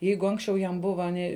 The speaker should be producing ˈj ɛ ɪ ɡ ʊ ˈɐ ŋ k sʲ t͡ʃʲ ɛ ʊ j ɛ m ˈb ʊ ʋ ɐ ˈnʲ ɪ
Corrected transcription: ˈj ɛ ɪ ɡ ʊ ˈɐ ŋ k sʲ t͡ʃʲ ɛ ʊ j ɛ m ˈb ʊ ʋ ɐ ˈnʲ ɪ